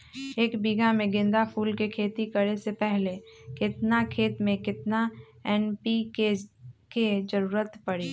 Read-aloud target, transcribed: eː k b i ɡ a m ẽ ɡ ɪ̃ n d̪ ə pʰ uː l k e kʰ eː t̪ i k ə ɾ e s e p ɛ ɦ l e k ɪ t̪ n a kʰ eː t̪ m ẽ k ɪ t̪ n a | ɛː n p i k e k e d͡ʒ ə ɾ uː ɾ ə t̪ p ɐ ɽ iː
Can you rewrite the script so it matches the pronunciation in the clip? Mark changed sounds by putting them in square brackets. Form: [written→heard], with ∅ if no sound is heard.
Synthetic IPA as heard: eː k b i ɡ a m ẽ ɡ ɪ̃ n d̪ [ə→a] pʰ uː l k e kʰ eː t̪ i k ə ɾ e s e p ɛ ɦ l e k ɪ t̪ n a kʰ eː t̪ m ẽ k ɪ t̪ n a | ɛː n p i k e k e d͡ʒ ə ɾ uː ɾ ə t̪ p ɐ ɽ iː